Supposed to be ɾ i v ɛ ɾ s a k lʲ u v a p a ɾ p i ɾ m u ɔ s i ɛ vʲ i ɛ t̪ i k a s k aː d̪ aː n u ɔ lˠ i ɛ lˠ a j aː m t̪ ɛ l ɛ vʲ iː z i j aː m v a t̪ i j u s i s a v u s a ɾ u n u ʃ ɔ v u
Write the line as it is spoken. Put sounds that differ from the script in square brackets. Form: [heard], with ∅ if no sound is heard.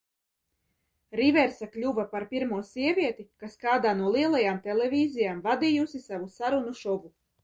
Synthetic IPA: ɾ i v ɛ ɾ s a k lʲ u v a p a ɾ p i ɾ m u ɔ s i ɛ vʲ i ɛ t̪ i k a s k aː d̪ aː n u ɔ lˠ i ɛ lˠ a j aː m t̪ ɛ l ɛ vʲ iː z i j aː m v a [d̪] i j u s i s a v u s a ɾ u n u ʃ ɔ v u